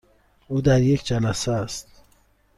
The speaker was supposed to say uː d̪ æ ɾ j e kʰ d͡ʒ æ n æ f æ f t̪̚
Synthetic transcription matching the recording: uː d̪ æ ɾ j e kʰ d͡ʒ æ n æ s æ s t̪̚